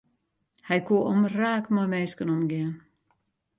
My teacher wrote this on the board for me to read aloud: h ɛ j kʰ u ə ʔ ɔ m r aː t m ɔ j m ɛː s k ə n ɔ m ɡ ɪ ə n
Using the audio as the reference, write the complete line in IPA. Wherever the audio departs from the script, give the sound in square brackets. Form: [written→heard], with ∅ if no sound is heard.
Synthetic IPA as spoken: h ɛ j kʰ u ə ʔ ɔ m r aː [t→k] m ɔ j m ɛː s k ə n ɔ m ɡ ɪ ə n

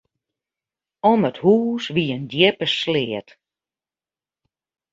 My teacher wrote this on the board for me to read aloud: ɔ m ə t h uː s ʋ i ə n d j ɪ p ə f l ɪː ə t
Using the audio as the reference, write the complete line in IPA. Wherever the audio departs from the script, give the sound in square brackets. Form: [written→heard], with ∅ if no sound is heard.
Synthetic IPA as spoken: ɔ m ə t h uː s ʋ i ə n d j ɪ p ə [f→s] l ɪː ə t

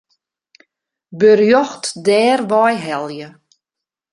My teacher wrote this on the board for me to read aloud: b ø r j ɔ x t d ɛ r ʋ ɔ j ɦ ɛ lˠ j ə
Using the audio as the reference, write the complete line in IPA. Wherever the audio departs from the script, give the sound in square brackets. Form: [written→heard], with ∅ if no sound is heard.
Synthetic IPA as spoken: b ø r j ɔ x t d [ɛ→ɛː] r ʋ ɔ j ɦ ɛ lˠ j ə

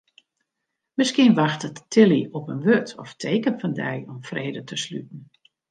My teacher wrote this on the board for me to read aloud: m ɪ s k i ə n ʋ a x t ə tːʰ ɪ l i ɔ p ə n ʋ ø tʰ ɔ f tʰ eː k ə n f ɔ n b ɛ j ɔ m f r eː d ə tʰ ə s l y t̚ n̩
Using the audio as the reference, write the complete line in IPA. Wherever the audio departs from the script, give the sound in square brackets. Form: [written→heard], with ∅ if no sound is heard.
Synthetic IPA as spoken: m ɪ s k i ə n ʋ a x t ə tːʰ ɪ l i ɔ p ə n ʋ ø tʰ ɔ f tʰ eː k ə n f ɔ n [b→d] ɛ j ɔ m f r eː d ə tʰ ə s l y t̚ n̩

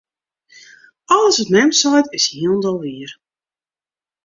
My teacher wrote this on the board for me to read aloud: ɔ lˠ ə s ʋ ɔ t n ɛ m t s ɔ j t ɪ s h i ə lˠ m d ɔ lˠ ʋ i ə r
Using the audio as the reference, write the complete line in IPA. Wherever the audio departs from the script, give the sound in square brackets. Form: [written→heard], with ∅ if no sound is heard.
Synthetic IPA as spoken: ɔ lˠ ə s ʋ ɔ t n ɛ m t s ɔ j t ɪ s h i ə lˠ [m→n] d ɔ lˠ ʋ i ə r

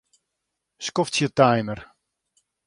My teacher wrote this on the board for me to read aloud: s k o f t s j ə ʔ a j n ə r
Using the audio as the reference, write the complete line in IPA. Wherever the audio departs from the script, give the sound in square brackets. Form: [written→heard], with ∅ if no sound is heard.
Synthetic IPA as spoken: s k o f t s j ə [ʔ→t] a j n ə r

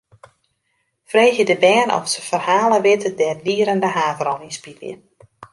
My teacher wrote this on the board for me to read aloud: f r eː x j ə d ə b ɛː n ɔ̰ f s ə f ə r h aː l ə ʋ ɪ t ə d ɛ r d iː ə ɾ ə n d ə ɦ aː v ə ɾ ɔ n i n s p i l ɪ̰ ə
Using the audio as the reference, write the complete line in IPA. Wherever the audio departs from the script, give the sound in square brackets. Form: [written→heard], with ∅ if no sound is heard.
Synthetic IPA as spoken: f r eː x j ə d ə b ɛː n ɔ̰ f s ə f ə r h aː l ə ʋ ɪ t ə d ɛ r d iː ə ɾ ə n d ə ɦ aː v ə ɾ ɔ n i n s p i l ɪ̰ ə

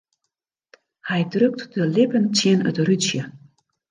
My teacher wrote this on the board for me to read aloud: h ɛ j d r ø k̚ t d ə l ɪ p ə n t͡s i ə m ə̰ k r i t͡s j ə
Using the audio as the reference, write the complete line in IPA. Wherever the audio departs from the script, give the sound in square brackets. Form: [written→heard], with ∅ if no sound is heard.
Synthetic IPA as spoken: h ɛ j d r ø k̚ t d ə l ɪ p ə n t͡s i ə [m→n] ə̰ [k→t] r [i→y] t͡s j ə

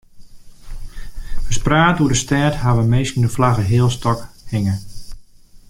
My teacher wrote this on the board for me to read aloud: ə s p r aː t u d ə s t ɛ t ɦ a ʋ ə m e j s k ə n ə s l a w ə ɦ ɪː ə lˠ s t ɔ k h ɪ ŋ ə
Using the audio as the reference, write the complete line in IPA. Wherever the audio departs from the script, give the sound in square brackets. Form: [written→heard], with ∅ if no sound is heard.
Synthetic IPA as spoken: ə s p r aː t u d ə s t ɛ t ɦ a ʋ ə m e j s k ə n ə [s→f] l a [w→ɣ] ə ɦ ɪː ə lˠ s t ɔ k h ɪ ŋ ə

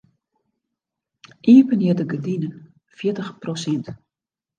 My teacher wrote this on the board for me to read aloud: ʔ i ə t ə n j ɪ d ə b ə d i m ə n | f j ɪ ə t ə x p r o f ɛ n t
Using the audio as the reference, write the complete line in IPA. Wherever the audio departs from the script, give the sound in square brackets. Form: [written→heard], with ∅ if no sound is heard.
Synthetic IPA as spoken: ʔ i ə [t→p] ə n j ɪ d ə [b→ɡ] ə d i [m→n] ə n | f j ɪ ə t ə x p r o [f→s] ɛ n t

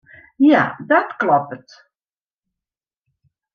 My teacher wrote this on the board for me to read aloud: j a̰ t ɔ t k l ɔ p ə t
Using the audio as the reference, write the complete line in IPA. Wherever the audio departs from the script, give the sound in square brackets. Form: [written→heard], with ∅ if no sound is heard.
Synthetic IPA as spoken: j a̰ [t→d] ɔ t k l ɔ p ə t

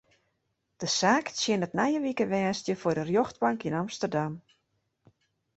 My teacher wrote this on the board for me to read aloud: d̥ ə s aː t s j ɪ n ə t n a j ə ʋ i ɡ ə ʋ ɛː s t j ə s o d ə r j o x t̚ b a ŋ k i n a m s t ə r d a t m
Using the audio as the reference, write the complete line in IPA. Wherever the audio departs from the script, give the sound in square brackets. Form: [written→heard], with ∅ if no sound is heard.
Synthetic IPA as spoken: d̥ ə s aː [t→k] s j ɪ n ə t n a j ə ʋ i [ɡ→k] ə ʋ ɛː s t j ə [s→f] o d ə r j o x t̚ b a ŋ k i n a m s t ə r d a [t→∅] m

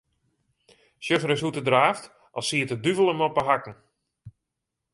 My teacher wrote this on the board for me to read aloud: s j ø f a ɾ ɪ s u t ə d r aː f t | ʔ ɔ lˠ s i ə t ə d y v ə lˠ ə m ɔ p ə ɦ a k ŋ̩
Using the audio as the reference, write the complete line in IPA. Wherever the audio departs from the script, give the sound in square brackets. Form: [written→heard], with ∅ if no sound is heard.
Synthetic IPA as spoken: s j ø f [a→ə] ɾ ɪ s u t ə d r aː f t | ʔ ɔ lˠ s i ə t ə d y v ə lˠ ə m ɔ p ə ɦ a k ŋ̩

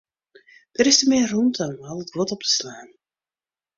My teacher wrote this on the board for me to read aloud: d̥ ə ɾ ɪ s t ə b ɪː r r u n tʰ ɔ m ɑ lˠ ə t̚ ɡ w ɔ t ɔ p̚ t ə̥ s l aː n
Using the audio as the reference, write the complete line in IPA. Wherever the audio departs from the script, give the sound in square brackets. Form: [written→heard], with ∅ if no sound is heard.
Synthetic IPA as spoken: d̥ ə ɾ ɪ s t ə [b→m] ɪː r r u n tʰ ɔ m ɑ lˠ ə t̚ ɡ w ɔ t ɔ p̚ t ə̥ s l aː n

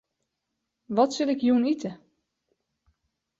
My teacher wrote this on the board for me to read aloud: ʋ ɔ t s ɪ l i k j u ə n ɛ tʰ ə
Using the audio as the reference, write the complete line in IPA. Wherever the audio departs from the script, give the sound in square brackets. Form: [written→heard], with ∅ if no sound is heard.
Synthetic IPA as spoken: ʋ ɔ t s ɪ l [i→ɪ] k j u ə n [ɛ→i] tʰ ə

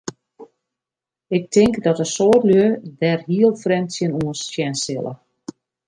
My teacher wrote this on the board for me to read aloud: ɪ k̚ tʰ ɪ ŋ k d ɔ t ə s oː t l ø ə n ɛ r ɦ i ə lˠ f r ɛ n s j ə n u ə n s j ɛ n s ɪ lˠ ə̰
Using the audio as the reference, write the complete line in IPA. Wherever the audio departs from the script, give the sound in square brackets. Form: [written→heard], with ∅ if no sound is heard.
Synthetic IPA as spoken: ɪ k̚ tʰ ɪ ŋ k d ɔ t ə s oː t l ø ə [n→d] ɛ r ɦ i ə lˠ f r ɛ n s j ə n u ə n s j ɛ n s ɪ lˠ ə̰

